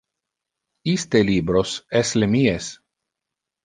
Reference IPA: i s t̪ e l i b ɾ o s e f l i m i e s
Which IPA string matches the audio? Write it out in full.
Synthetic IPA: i s t̪ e l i b ɾ o s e s l e m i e s